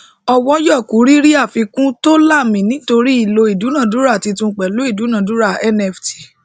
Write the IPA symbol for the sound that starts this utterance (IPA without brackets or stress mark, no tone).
ɔ